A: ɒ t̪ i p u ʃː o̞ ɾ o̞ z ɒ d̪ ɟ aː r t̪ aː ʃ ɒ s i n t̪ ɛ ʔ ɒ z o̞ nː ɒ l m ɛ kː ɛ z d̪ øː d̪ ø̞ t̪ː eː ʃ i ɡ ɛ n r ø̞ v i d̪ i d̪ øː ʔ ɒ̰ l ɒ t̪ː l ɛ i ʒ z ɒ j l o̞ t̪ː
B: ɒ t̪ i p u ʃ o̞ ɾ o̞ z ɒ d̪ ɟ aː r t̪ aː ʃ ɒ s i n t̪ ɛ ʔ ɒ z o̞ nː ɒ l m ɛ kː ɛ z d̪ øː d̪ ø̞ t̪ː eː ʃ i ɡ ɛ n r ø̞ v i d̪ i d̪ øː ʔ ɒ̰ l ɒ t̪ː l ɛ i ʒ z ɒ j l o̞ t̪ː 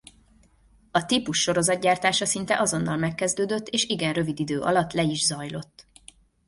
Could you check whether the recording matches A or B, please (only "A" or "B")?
A